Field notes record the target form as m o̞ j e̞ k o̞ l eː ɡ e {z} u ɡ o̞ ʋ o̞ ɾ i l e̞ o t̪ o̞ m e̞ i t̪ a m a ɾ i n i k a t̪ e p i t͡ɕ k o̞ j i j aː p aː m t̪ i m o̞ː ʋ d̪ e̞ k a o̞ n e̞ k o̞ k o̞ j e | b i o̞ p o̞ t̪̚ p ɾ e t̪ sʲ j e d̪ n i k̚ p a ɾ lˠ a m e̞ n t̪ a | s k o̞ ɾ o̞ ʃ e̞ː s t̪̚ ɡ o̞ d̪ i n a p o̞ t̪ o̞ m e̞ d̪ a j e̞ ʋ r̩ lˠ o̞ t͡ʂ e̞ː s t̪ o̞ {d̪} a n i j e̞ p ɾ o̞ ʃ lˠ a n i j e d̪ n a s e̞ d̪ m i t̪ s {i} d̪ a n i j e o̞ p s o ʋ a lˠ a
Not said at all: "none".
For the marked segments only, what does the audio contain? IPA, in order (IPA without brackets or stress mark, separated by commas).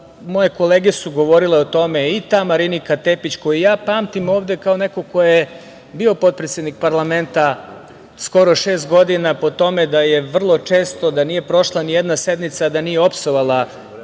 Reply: s, d̪, a